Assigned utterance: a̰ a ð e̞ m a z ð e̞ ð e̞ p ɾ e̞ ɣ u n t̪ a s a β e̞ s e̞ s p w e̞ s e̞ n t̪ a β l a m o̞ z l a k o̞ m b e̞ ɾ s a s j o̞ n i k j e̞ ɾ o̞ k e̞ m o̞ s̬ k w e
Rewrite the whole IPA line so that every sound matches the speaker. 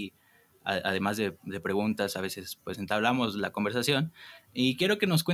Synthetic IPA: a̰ a ð e̞ m a z ð e̞ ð e̞ p ɾ e̞ ɣ u n t̪ a s a β e̞ s e̞ s p w e̞ s e̞ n t̪ a β l a m o̞ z l a k o̞ m b e̞ ɾ s a s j o̞ n i k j e̞ ɾ o̞ k e̞ n o̞ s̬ k w e